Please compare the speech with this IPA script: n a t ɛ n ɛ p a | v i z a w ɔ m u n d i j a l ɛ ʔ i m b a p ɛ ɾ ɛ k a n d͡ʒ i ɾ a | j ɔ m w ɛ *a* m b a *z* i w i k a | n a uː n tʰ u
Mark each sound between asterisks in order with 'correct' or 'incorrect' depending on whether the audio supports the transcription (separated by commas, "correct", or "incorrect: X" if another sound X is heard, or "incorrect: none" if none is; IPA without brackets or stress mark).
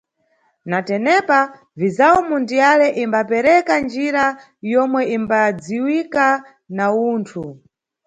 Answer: incorrect: i, incorrect: d͡z